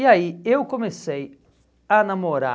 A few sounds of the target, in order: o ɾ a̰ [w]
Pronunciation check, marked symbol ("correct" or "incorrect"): incorrect